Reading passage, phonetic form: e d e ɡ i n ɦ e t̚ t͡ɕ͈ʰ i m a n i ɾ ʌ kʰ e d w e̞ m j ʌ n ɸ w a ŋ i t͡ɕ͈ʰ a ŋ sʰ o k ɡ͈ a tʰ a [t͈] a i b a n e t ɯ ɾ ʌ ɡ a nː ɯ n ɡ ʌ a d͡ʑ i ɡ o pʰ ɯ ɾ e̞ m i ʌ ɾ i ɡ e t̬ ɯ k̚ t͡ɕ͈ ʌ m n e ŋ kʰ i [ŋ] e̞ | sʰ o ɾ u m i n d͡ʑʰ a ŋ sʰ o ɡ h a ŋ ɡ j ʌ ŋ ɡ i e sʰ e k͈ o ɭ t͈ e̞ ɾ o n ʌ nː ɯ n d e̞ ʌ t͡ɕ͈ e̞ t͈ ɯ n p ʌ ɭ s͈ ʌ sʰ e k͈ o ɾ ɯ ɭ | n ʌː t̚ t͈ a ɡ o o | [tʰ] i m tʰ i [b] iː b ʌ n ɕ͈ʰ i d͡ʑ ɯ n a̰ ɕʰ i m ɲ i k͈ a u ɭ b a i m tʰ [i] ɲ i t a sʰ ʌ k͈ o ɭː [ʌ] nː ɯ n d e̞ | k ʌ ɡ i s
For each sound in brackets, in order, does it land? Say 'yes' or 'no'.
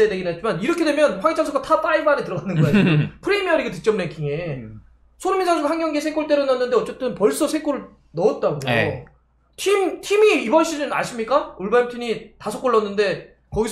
yes, yes, yes, no, yes, yes

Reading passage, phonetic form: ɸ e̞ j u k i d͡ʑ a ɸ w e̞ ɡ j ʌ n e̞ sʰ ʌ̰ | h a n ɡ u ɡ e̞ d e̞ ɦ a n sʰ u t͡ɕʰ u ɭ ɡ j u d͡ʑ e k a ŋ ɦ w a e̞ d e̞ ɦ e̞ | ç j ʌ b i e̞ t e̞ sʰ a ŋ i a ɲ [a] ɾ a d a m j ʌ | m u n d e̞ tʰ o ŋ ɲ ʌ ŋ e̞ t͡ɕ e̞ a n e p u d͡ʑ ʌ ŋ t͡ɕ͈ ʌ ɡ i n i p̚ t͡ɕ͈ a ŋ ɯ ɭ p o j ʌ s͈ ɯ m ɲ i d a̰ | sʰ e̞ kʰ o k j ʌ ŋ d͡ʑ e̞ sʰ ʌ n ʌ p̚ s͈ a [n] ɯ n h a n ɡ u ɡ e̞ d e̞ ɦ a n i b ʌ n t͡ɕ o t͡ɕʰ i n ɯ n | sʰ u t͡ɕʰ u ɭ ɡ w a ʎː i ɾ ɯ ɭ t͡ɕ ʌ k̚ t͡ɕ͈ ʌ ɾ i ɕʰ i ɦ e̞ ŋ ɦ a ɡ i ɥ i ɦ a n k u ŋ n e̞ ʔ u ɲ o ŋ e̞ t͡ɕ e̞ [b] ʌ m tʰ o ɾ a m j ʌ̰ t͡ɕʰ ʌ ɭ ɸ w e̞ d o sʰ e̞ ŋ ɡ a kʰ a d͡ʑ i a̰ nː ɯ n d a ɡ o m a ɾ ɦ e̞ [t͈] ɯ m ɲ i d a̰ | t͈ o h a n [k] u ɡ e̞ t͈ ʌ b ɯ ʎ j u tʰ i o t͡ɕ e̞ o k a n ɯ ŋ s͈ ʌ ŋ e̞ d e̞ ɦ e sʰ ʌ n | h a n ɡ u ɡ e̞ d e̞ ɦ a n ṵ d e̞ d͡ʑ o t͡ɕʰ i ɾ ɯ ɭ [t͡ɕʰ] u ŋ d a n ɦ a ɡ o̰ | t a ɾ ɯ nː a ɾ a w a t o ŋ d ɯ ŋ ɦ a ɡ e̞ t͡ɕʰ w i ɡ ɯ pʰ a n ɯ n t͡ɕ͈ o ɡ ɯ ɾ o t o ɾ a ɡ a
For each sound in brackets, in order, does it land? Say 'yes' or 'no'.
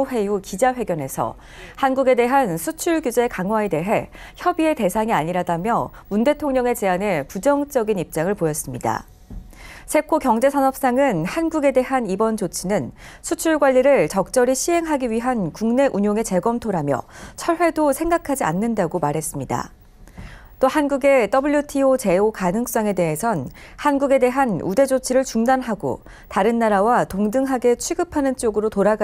no, no, no, no, no, no

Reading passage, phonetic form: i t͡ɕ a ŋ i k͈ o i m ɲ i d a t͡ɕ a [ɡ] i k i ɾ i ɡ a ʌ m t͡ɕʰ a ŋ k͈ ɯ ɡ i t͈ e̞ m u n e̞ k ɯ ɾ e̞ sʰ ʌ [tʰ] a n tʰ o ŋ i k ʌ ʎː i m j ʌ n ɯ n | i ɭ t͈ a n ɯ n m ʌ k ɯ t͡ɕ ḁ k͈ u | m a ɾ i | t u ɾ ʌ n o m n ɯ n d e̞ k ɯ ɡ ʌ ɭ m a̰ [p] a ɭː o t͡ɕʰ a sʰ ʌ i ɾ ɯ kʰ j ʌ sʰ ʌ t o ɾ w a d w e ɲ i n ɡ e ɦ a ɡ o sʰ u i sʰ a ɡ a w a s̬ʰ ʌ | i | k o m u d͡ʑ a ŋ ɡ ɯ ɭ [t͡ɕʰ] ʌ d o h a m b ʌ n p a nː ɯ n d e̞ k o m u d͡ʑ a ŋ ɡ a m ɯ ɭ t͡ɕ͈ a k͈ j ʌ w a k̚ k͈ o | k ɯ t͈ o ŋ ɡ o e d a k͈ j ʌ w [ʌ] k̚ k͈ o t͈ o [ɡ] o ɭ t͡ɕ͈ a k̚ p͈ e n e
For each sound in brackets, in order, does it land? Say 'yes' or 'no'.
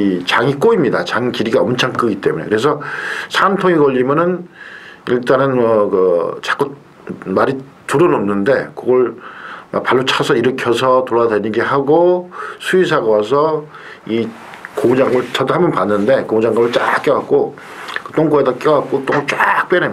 no, no, yes, no, no, no

